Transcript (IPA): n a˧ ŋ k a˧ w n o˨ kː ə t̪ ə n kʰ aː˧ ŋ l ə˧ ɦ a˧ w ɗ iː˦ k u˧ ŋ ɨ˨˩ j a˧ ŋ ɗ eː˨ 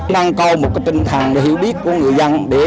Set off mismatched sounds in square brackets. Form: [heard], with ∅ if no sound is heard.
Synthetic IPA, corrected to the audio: n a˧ ŋ k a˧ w [m] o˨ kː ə t̪ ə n kʰ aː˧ ŋ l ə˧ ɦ [i˧] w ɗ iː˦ k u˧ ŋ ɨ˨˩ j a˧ ŋ ɗ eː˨